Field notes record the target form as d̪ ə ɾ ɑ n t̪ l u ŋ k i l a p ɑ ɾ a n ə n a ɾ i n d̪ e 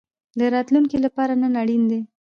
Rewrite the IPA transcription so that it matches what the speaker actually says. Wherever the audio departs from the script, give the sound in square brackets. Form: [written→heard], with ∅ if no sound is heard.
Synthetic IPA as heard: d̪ ə ɾ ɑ [n→∅] t̪ l u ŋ k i l a p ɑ ɾ a n ə n a [ɾ→ɽ] i n d̪ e